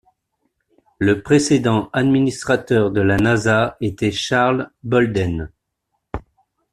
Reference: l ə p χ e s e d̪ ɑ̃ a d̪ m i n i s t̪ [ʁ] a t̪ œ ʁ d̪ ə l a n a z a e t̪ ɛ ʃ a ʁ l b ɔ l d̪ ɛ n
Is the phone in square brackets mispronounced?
yes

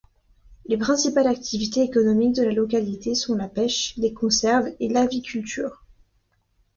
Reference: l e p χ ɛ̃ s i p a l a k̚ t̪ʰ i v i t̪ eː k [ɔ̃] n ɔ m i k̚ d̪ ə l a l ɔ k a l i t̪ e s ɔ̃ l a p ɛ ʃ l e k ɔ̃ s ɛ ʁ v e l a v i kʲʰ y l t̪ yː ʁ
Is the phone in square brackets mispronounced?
yes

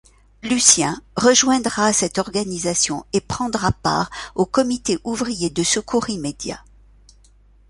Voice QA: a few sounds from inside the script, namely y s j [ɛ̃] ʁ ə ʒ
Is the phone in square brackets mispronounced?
no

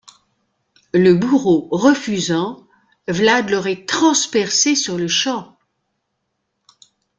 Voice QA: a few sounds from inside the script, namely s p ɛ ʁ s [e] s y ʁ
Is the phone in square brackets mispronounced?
no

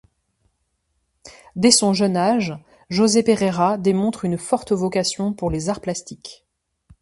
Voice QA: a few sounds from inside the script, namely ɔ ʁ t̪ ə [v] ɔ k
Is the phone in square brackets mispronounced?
no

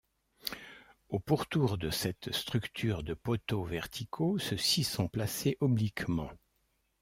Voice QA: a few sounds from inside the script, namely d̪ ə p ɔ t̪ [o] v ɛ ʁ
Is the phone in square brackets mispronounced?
no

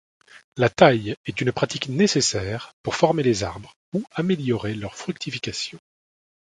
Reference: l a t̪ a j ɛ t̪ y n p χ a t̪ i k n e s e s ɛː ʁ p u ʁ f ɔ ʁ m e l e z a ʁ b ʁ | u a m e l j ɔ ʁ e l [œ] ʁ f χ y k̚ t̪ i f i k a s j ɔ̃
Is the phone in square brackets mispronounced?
no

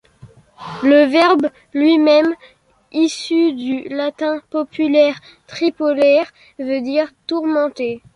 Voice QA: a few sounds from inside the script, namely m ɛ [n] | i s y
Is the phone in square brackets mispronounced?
yes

